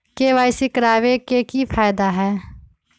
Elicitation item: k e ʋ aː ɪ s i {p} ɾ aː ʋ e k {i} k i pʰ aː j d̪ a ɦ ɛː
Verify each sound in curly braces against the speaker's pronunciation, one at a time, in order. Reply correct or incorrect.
incorrect: k, incorrect: e

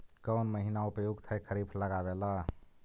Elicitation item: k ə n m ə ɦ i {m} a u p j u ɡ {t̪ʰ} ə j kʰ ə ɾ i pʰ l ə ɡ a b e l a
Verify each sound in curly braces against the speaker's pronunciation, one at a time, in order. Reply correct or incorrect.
incorrect: n, correct

